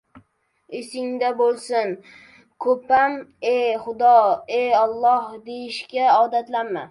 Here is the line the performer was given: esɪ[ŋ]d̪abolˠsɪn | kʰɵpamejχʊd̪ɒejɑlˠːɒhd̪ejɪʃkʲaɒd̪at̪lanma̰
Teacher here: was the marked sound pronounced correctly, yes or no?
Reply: yes